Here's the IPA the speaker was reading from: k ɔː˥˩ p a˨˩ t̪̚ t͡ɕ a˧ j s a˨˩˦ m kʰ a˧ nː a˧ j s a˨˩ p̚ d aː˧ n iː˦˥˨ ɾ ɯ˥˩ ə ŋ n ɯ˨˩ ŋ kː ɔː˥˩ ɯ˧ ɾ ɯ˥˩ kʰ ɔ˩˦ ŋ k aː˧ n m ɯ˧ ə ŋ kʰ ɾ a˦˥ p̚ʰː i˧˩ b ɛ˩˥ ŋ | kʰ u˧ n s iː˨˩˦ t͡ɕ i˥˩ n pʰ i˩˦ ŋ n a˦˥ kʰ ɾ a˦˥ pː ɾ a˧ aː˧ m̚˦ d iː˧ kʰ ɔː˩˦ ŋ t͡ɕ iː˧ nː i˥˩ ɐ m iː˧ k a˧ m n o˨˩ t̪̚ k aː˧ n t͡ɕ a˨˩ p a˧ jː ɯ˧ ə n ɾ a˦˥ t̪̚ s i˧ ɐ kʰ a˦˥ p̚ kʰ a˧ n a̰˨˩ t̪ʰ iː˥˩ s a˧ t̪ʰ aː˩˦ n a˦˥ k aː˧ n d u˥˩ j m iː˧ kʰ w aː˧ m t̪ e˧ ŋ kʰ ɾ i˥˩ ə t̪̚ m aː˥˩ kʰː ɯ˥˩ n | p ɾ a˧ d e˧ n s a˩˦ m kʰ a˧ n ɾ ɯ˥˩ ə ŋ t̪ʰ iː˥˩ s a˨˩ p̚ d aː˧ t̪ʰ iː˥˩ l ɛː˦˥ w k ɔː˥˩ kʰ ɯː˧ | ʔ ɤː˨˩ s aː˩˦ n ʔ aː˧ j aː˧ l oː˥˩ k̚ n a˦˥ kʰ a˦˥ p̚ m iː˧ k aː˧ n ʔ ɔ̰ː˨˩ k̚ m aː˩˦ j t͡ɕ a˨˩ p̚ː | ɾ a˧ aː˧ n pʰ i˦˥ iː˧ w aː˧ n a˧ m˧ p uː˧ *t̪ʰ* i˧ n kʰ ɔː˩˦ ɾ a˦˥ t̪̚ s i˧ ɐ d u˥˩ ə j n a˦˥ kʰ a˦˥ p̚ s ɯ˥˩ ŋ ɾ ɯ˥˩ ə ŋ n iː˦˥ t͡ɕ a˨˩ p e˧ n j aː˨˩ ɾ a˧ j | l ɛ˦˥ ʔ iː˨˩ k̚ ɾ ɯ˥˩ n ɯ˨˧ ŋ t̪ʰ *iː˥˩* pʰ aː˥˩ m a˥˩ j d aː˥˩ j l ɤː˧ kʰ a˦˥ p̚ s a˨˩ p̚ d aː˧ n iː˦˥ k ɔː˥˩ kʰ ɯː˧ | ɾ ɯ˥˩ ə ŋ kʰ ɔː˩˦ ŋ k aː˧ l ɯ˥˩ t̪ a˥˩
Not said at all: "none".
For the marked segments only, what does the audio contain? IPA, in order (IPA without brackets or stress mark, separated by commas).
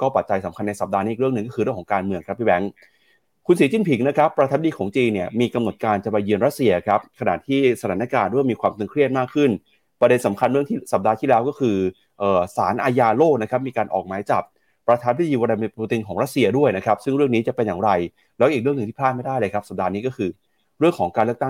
t̪, iː˥